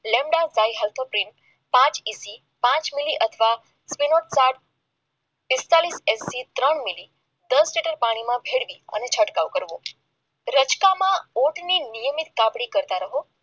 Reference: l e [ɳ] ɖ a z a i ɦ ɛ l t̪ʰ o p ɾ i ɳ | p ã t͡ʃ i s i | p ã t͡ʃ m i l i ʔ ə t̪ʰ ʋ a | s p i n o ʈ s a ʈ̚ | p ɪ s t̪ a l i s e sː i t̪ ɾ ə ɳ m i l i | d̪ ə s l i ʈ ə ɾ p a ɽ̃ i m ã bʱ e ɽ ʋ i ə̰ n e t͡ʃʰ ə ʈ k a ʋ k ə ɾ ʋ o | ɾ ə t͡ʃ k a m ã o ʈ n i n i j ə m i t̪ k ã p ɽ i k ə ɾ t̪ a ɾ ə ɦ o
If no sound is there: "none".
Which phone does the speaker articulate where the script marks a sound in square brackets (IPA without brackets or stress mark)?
m